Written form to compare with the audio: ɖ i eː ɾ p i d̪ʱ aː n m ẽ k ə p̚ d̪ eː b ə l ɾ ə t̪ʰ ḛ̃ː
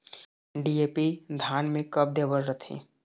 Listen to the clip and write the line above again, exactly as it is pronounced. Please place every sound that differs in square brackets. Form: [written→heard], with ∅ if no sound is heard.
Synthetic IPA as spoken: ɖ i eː [ɾ→∅] p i d̪ʱ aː n m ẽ k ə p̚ d̪ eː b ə l ɾ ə t̪ʰ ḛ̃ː